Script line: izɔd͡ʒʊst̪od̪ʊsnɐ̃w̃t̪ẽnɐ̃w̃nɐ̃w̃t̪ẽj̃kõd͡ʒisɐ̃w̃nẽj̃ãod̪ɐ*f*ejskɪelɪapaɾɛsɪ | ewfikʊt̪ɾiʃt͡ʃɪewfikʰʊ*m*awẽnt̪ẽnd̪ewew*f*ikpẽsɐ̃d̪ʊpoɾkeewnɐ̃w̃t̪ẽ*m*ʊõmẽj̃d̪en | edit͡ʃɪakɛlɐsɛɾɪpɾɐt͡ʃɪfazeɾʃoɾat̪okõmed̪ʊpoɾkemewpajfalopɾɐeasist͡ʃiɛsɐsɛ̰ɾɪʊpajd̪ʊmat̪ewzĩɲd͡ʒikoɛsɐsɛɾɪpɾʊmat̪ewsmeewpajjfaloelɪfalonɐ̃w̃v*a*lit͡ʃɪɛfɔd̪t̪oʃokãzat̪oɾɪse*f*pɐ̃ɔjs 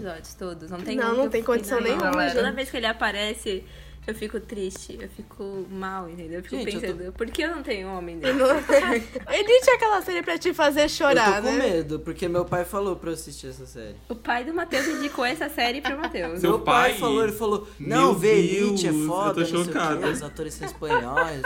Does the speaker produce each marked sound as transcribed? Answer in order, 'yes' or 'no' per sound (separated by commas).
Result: no, yes, yes, no, no, no